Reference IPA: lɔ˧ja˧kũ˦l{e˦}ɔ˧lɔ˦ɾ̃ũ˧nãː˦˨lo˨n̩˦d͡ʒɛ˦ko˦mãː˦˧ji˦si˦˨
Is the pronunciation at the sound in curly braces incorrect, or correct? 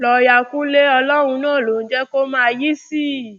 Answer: correct